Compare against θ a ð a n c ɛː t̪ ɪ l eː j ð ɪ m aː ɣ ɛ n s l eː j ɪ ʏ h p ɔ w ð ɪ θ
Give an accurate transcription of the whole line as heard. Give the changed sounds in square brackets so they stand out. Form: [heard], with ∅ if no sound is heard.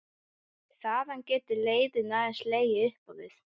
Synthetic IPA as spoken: θ a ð a n c ɛː t̪ ɪ l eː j ð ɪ [n] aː [ð] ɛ n s l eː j ɪ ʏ h p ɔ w ð ɪ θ

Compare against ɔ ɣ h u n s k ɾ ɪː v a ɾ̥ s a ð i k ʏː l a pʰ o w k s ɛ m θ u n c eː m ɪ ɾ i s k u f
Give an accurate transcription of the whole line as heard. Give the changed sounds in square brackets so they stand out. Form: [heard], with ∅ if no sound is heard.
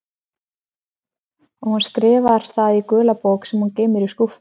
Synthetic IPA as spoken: ɔ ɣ h u n s k ɾ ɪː v a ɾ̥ [θ] a ð i k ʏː l a [p] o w k s ɛ m [h] u n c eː m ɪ ɾ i s k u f

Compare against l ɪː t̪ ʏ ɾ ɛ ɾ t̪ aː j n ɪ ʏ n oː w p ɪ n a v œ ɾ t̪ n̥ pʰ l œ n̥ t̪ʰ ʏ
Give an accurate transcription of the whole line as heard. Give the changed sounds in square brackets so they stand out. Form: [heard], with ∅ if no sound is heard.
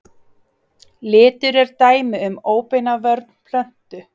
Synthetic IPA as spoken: l ɪː t̪ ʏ ɾ ɛ ɾ t̪ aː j [m] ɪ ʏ [m] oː w p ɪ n a v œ ɾ t̪ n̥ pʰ l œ n̥ [t̪] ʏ

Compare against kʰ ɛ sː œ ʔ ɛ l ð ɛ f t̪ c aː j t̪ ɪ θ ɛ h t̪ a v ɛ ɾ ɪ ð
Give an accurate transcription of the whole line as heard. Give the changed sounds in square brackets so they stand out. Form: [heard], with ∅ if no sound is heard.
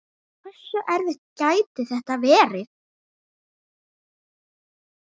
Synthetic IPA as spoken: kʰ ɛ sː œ ʔ ɛ [ɾ] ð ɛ [h] t̪ c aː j t̪ ɪ θ ɛ h t̪ a v [ɛː] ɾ ɪ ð

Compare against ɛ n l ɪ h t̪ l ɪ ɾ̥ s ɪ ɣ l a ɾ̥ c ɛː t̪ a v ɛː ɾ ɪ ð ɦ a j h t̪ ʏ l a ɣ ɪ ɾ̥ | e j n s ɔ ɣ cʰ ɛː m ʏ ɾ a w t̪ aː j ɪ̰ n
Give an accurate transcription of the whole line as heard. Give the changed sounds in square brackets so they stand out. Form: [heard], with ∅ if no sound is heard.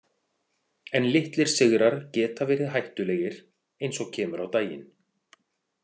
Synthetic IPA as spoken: ɛ n l ɪ h t̪ l ɪ ɾ̥ s ɪ ɣ [ɾ] a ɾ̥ c ɛː t̪ a v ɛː ɾ ɪ ð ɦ a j h t̪ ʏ l [ɛ] ɣ ɪ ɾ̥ | e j n s ɔ ɣ cʰ ɛː m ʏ ɾ a w t̪ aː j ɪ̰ n

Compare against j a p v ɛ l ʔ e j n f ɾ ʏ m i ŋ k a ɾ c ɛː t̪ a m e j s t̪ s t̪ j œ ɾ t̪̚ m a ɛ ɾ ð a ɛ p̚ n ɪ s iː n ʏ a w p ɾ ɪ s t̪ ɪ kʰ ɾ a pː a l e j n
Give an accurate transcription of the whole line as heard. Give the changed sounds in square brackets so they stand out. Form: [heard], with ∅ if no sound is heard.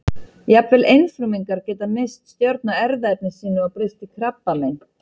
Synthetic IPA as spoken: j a p v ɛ l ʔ e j n f ɾ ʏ m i ŋ k a ɾ c ɛː t̪ a m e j s t̪ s t̪ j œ ɾ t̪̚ [n] a ɛ ɾ ð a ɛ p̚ n ɪ s iː n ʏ a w p ɾ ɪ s t̪ ɪ kʰ ɾ a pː a l e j n

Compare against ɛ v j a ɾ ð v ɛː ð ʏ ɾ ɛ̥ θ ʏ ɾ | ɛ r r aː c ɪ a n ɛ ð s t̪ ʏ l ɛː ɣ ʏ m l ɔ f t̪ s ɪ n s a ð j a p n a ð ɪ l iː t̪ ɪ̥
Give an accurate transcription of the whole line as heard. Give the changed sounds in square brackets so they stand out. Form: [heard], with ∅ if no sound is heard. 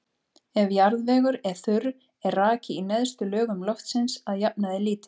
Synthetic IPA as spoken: ɛ v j a ɾ ð v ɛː [ɣ] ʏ ɾ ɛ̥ θ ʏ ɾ | ɛ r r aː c ɪ [i] n ɛ ð s t̪ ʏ l [œː] ɣ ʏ m l ɔ f t̪ s ɪ n s a ð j a p n a ð ɪ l iː t̪ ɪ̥

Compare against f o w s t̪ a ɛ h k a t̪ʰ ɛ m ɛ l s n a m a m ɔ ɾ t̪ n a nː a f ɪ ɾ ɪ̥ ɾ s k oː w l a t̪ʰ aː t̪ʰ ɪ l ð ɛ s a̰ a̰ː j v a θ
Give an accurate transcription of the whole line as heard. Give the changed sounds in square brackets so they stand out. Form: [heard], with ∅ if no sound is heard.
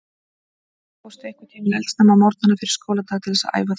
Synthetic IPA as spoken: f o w s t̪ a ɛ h k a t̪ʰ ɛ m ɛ l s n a m a m ɔ ɾ t̪ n a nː a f ɪ ɾ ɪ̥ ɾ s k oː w l a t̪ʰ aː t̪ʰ ɪ l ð ɛ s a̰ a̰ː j v a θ

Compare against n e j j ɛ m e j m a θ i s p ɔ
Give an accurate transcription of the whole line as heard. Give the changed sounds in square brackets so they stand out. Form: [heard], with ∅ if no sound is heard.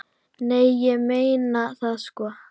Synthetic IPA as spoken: n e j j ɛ m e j [n] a θ [a] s [k] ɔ

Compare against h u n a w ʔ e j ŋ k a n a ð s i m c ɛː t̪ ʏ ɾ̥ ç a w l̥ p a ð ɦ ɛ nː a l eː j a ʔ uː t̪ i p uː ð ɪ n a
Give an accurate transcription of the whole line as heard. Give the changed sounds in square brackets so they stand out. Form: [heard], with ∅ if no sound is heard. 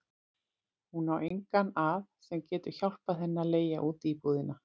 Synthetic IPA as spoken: h u n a w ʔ e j ŋ k a n a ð s [ɛ] m c ɛː t̪ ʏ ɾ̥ ç a w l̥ p a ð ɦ ɛ nː a l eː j a ʔ uː t̪ i p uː ð ɪ n a

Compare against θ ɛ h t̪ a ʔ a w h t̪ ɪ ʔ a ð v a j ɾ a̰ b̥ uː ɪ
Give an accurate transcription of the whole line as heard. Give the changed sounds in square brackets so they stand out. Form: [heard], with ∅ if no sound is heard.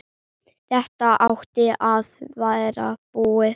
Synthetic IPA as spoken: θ ɛ h t̪ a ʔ a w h t̪ ɪ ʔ a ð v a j ɾ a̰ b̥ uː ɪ

